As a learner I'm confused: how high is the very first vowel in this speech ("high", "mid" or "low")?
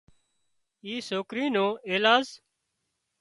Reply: high